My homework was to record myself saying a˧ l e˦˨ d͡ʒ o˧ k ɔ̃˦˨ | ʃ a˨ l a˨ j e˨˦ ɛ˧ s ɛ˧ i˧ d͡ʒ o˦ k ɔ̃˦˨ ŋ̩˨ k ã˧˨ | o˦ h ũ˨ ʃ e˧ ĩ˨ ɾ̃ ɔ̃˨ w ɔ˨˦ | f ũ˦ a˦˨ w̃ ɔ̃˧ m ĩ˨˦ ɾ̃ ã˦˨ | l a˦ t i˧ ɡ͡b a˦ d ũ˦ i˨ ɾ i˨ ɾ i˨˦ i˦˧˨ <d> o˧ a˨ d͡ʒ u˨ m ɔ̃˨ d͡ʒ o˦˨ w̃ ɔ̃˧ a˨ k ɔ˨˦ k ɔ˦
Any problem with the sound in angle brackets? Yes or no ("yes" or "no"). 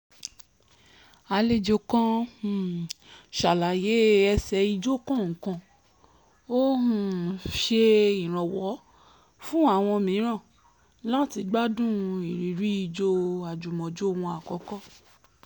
yes